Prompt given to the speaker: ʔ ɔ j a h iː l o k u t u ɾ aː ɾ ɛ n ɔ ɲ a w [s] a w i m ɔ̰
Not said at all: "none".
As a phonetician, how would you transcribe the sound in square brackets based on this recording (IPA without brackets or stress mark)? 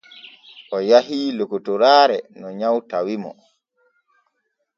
t